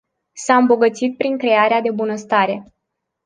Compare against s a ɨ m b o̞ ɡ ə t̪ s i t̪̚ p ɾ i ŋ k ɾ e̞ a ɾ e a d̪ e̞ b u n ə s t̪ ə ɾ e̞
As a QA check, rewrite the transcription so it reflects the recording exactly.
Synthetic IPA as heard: s a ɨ m b o̞ ɡ ə t̪ s i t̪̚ p ɾ i ŋ k ɾ e̞ a ɾ e a d̪ e̞ b u n ə s t̪ a ɾ e̞